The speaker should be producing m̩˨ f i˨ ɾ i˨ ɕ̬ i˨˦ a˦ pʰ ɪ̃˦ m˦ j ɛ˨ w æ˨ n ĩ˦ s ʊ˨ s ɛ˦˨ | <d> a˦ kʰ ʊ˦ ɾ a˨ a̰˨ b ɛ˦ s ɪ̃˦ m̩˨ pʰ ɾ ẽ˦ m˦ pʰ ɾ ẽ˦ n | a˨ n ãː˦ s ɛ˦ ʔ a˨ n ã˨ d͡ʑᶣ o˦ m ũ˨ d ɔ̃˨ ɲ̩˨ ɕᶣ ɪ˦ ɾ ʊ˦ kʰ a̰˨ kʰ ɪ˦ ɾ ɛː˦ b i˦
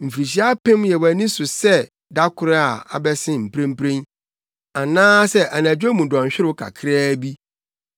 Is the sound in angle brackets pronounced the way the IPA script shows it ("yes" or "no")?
yes